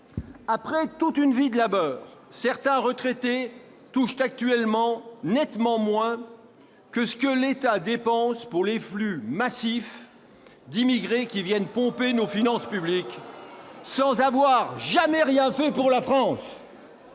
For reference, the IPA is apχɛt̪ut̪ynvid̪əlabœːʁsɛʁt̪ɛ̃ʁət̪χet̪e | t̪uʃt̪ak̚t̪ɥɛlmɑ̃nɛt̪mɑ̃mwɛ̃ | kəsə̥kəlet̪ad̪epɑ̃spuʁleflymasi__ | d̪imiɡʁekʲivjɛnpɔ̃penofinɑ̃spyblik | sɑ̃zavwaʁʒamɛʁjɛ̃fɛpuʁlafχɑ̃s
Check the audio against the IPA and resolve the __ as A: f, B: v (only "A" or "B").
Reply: A